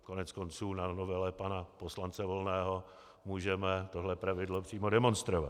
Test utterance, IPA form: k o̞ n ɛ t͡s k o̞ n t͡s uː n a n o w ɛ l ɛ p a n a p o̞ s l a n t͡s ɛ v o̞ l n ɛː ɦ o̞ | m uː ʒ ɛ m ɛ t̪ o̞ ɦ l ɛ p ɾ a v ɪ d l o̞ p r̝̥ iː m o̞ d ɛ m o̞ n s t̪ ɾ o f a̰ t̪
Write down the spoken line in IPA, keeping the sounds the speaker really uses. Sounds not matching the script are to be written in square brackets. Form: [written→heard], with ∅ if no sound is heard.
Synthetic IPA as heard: k o̞ n ɛ t͡s k o̞ n t͡s uː n a n o [w→v] ɛ l ɛ p a n a p o̞ s l a n t͡s ɛ v o̞ l n ɛː ɦ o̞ | m uː ʒ ɛ m ɛ t̪ o̞ ɦ l ɛ p ɾ a v ɪ d l o̞ p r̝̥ iː m o̞ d ɛ m o̞ n s t̪ ɾ o [f→v] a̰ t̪